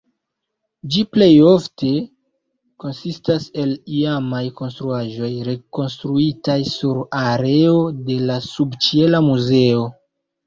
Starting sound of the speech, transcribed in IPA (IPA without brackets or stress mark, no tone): d͡ʒ